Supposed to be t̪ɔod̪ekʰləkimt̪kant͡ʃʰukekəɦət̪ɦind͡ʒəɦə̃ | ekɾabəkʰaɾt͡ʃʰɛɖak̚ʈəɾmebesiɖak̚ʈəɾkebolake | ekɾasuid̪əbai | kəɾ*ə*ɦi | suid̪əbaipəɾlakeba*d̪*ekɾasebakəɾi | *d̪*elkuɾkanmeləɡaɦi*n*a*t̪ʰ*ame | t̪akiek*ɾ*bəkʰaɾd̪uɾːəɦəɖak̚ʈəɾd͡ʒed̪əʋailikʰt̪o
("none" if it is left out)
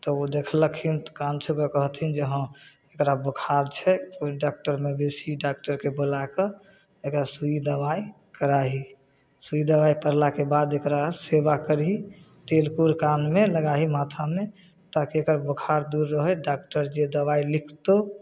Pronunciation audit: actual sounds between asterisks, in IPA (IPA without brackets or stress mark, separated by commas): a, d̪, t̪, m, t̪ʰ, ɾ